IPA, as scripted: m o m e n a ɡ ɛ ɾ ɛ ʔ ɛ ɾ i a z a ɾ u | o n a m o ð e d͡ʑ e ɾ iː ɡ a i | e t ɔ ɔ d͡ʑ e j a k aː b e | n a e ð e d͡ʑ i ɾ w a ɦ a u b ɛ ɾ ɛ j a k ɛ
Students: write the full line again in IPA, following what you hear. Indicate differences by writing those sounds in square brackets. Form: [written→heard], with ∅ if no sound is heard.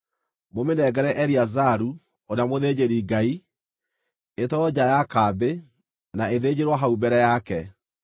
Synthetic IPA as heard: m o m e n [a→ɛ] ɡ ɛ ɾ ɛ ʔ ɛ ɾ i a z a ɾ u | o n a m o ð e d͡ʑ e ɾ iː ɡ a i | e t ɔ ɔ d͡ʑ [e→a] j a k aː b e | n a e ð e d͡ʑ [i→e] ɾ w a ɦ a u b ɛ ɾ ɛ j a k ɛ